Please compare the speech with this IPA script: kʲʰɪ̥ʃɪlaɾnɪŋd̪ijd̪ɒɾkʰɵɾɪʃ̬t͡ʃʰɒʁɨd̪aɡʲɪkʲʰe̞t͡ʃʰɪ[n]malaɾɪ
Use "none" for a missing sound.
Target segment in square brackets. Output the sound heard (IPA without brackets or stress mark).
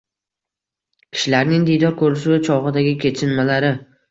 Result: n